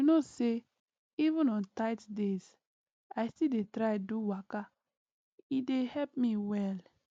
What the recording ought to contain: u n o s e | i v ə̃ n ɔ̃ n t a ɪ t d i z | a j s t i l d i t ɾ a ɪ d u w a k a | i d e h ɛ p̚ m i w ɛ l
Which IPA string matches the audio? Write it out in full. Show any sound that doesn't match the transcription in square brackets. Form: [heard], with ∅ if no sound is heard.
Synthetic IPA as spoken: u n o s e | i v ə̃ n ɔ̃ n t a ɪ t d [e] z | a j s t i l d [e] t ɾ a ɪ d u w a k a | i d e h ɛ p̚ m i w ɛ l

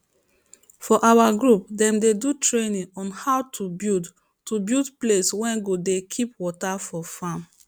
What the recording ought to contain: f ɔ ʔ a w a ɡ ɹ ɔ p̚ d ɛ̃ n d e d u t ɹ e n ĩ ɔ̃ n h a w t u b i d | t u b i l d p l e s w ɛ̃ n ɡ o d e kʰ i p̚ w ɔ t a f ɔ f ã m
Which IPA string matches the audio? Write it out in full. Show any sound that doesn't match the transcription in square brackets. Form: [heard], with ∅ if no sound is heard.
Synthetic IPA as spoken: f ɔ ʔ a w a ɡ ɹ [u] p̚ d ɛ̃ [m] d e d u t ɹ e n ĩ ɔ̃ n h a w t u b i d | t u b i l d p l e s w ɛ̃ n ɡ o d e kʰ i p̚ w ɔ t a f ɔ f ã m

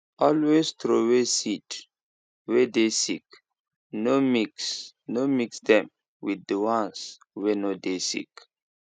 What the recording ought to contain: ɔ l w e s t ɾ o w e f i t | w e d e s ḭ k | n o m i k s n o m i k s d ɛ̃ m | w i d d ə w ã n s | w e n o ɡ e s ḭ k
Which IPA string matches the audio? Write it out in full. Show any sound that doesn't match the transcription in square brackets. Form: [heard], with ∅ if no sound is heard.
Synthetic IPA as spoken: ɔ l w e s t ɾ o w e [s] i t | w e d e s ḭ k | n o m i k s n o m i k s d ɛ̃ m | w i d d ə w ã n s | w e n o [d] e s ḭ k

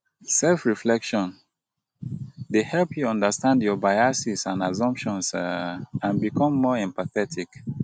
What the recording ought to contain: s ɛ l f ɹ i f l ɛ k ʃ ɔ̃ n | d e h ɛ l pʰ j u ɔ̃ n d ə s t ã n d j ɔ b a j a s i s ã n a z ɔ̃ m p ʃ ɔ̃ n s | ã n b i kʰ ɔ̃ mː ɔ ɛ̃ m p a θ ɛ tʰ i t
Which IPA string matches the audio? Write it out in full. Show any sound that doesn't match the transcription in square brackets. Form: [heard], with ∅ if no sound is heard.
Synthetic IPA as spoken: s ɛ l f ɹ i f l ɛ k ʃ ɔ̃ n | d e h ɛ l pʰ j u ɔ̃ n d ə s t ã n d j ɔ b a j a s i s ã n a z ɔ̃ m p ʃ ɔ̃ n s | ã n b i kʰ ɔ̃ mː ɔ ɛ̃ m p a θ ɛ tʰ i [k]

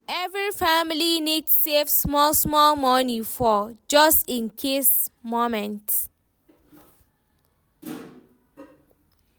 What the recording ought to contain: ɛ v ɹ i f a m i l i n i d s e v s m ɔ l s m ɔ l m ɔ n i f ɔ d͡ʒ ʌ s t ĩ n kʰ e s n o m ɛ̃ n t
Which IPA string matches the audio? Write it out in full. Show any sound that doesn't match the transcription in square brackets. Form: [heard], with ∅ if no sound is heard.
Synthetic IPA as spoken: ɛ v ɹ i f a m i l i n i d s e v s m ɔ l s m ɔ l m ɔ n i f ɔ d͡ʒ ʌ s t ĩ n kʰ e s [m] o m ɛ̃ n t

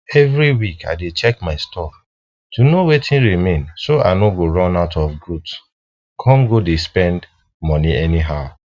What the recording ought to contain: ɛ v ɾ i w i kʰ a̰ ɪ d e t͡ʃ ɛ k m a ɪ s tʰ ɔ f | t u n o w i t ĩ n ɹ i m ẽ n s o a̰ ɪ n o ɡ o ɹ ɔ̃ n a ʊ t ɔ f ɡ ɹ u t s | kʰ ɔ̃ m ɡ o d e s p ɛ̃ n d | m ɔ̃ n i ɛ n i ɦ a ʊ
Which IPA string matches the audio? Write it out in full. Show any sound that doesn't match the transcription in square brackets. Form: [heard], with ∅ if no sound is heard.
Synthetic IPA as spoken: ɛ v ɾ i w i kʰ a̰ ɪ d e t͡ʃ ɛ k m a ɪ s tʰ ɔ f | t u n o w [e] t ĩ n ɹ i m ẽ n s o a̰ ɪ n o ɡ o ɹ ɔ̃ n a ʊ t ɔ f ɡ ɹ u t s | kʰ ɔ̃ m ɡ o d e s p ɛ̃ n d | m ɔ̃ n i ɛ n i ɦ a ʊ

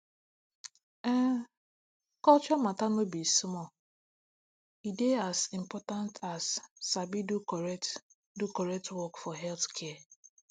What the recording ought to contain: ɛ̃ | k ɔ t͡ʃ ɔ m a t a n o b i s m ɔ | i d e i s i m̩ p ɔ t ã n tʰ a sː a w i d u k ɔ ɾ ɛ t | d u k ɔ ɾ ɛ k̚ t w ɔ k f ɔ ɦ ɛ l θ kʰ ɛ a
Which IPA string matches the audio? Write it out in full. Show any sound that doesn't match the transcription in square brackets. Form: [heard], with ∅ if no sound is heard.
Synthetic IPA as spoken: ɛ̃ | k ɔ t͡ʃ ɔ m a t a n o b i s m ɔ | i d e [a] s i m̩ p ɔ t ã n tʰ a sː a [b] i d u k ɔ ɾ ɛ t | d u k ɔ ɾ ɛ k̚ t w ɔ k f ɔ ɦ ɛ l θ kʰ ɛ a

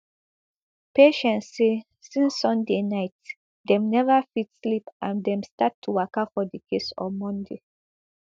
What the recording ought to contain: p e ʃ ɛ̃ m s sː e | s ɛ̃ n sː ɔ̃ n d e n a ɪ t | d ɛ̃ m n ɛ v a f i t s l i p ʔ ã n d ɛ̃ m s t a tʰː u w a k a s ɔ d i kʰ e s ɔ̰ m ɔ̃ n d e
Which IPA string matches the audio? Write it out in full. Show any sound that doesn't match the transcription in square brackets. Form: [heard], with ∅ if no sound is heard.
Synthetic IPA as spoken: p e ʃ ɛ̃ [n] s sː e | s [ĩ] n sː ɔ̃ n d e n a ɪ t | d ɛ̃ m n ɛ v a f i t s l i p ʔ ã n d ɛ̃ m s t a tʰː u w a k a [f] ɔ d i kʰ e s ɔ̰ m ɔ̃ n d e

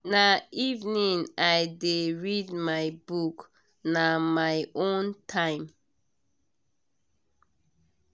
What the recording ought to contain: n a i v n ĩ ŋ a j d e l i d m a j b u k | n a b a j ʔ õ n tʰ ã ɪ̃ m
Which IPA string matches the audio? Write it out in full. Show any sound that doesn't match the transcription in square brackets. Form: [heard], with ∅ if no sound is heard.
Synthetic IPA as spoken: n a i v n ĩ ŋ a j d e [ɹ] i d m a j b u k | n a [m] a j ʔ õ n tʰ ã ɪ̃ m

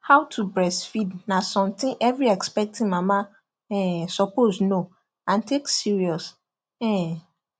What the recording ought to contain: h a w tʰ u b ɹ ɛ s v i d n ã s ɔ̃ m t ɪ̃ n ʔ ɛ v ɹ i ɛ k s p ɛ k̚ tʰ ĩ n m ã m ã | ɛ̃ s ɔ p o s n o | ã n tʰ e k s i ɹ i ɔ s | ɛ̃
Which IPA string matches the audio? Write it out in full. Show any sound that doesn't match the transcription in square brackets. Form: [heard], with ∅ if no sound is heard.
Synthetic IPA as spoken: h a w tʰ u b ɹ ɛ s [f] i d n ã s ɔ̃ m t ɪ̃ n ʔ ɛ v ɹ i ɛ k s p ɛ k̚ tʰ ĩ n m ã m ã | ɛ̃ s ɔ p o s n o | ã n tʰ e k s i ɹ i ɔ s | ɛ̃

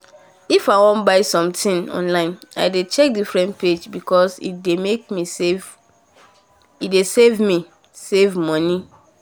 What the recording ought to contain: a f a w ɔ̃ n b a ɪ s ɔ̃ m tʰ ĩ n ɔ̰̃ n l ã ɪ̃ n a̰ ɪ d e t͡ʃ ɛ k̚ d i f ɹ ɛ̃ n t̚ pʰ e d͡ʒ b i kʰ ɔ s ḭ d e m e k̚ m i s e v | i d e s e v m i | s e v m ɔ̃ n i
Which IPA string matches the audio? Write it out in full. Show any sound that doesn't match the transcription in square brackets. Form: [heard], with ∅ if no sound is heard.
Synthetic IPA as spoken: [i] f a w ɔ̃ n b a ɪ s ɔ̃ m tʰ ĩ n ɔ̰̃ n l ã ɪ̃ n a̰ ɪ d e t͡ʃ ɛ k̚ d i f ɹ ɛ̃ n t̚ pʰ e d͡ʒ b i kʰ ɔ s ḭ d e m e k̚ m i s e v | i d e s e v m i | s e v m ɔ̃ n i

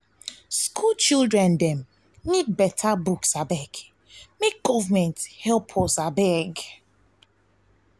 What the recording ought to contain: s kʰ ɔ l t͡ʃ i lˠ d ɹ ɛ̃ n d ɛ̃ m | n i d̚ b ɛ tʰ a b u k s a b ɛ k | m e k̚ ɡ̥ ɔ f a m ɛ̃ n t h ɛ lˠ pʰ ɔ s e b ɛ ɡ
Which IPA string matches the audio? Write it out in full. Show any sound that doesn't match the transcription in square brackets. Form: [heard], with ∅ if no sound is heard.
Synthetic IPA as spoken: s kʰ [u] l t͡ʃ i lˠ d ɹ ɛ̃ n d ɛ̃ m | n i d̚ b ɛ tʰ a b u k s a b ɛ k | m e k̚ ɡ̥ ɔ [v] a m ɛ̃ n t h ɛ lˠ pʰ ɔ s [a] b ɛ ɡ

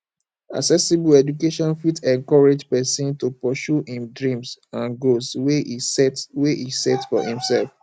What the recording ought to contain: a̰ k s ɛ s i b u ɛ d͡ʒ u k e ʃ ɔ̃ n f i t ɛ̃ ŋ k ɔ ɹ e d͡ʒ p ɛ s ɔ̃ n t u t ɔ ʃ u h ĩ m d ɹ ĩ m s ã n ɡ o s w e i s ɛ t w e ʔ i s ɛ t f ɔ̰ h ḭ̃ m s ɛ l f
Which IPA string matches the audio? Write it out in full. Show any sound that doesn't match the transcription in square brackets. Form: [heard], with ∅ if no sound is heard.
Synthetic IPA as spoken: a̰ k s ɛ s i b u ɛ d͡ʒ u k e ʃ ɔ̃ n f i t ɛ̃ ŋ k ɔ ɹ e d͡ʒ p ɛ s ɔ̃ n t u [p] ɔ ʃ u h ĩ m d ɹ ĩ m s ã n ɡ o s w e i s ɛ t w e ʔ i s ɛ t f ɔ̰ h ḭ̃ m s ɛ l f

